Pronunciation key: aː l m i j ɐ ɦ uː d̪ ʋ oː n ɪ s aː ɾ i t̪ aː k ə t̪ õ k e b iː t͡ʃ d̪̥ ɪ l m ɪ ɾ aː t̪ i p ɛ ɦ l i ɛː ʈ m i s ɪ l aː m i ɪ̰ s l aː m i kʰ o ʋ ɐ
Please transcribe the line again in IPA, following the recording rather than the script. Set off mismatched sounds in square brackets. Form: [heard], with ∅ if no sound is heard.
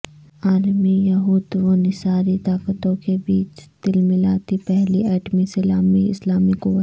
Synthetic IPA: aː l m i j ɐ ɦ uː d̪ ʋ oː n ɪ s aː ɾ i t̪ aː k ə t̪ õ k e b iː t͡ʃ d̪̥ ɪ l m ɪ [l] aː t̪ i p ɛ ɦ l i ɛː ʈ m i s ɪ l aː m i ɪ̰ s l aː m i [k] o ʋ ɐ